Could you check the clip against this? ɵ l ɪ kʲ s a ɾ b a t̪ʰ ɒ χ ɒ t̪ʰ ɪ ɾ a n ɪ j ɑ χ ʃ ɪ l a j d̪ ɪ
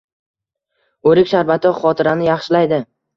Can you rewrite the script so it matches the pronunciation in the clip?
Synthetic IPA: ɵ ɾ ɪ kʲ ʃ a ɾ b a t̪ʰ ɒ χ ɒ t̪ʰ ɪ ɾ a n ɪ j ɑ χ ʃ ɪ l a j d̪ ɪ

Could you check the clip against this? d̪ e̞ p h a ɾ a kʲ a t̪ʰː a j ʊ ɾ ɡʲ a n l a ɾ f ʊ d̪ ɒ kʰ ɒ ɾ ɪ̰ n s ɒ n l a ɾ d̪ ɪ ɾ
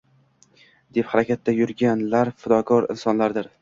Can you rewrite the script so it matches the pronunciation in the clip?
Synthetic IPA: d̪ e̞ p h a ɾ a kʲ a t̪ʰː a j ʊ ɾ ɡʲ a n l a ɾ f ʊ d̪ ɒ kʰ ɒ ɾ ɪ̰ n s ɒ n l a ɾ d̪ ɪ ɾ

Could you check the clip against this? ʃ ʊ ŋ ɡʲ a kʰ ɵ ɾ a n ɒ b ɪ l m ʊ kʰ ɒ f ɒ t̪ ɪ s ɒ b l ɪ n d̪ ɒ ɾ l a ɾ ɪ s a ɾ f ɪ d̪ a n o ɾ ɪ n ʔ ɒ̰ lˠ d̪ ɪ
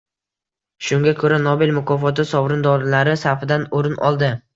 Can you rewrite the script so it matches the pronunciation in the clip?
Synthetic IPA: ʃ ʊ ŋ ɡʲ a kʰ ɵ ɾ a n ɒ b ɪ l m ʊ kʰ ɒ f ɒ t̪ ɪ s ɒ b ɾ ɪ n d̪ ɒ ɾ l a ɾ ɪ s a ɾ f ɪ d̪ a n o ɾ ɪ n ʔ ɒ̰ lˠ d̪ ɪ

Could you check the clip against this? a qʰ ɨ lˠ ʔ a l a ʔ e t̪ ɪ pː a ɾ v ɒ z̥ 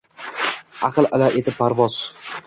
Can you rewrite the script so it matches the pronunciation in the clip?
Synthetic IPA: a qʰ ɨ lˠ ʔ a l a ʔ e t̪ ɪ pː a ɾ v ɒ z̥

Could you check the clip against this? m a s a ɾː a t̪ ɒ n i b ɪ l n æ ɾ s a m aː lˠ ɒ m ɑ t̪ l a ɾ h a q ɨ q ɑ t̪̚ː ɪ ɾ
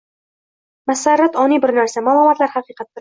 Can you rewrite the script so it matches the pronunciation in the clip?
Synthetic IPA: m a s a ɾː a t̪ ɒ n i b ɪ ɾ n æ ɾ s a m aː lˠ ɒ m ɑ t̪ l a ɾ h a q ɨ q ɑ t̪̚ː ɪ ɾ

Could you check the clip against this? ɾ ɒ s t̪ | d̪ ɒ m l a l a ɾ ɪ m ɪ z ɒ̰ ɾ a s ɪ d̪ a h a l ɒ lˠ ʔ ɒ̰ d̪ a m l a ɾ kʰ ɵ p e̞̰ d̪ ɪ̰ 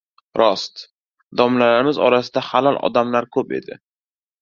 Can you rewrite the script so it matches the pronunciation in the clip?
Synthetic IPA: ɾ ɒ s t̪ | d̪ ɒ m l a l a ɾ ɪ m ɪ z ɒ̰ ɾ a s ɪ d̪ a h a l ɒ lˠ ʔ ɒ̰ d̪ a m l a ɾ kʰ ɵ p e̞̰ d̪ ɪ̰

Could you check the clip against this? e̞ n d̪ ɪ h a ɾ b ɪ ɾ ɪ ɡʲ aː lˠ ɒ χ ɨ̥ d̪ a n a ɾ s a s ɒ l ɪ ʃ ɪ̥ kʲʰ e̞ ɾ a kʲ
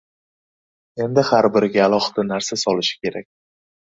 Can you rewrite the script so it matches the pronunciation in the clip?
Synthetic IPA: e̞ n d̪ ɪ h a ɾ b ɪ ɾ ɪ ɡʲ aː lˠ ɒ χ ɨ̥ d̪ a n a ɾ s a s ɒ l ɪ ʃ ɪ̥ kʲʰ e̞ ɾ a kʲ

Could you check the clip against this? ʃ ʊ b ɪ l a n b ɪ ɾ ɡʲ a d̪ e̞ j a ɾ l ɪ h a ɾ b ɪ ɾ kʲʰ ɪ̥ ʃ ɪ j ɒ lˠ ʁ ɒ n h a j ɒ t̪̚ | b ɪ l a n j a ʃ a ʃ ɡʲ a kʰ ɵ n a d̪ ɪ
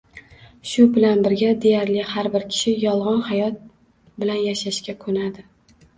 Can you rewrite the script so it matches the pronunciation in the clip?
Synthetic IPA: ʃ ʊ b ɪ l a n b ɪ ɾ ɡʲ a d̪ e̞ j a ɾ l ɪ h a ɾ b ɪ ɾ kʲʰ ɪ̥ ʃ ɪ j ɒ lˠ ʁ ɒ n h a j ɒ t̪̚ | b ɪ l a n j a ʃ a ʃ kʲ a kʰ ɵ n a d̪ ɪ

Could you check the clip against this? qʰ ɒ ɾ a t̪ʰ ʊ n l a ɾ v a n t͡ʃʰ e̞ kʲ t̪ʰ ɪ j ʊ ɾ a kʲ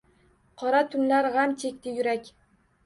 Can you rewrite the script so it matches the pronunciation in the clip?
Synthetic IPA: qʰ ɒ ɾ a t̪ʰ ʊ n l a ɾ ʁ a m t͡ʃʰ e̞ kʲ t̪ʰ ɪ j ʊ ɾ a kʲ

